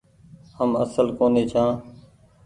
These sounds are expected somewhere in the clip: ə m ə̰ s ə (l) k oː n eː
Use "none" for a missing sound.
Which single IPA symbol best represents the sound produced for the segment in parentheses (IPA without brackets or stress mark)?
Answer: l